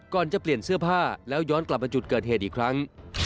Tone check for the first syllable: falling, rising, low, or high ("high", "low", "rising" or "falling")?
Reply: low